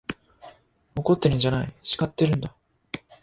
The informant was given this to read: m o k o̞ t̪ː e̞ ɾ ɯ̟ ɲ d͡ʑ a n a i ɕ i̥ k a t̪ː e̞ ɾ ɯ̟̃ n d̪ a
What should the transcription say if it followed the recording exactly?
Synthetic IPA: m o k o̞ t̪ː e̞ ɾ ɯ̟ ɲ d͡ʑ a n a i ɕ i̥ k a t̪ː e̞ ɾ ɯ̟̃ n d̪ a